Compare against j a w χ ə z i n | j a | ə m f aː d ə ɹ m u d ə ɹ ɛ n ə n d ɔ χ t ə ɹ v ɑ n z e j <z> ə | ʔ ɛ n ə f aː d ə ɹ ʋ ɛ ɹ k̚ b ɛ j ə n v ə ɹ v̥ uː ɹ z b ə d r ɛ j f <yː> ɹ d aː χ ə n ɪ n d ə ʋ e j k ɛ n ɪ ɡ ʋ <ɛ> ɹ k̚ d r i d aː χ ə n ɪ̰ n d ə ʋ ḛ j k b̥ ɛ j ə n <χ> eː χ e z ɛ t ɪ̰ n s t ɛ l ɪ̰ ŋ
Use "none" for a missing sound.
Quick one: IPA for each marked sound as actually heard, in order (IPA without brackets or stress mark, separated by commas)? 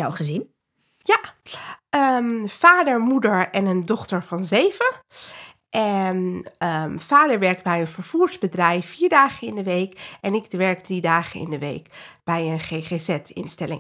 v, iː, ɛ, χ